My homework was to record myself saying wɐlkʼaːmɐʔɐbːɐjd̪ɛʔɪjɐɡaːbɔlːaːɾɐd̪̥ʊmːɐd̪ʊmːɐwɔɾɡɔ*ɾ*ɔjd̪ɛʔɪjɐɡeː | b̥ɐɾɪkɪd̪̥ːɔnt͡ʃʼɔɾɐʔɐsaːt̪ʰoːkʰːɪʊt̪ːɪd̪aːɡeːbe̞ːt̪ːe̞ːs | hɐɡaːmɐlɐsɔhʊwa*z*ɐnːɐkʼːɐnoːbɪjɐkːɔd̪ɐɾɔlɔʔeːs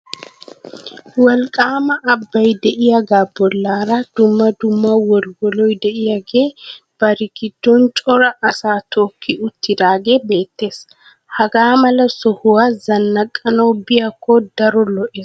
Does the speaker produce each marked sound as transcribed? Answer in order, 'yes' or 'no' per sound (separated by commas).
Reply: no, yes